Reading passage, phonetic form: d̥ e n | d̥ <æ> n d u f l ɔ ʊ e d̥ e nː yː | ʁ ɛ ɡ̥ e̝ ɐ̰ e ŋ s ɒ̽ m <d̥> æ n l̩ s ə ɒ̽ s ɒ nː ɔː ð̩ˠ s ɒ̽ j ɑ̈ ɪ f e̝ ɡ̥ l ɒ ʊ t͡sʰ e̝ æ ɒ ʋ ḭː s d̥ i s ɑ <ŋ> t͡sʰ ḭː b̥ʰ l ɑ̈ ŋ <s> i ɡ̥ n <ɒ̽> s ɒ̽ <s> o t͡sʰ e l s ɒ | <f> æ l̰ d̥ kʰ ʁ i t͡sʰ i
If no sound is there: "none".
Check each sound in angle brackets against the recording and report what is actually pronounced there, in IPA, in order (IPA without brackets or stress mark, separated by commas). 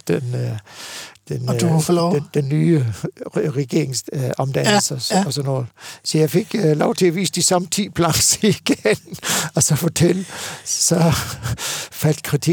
e, d̥, m, s, ɒ̽, f, f